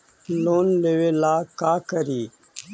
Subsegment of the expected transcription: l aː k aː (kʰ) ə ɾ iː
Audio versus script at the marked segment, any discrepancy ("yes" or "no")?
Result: yes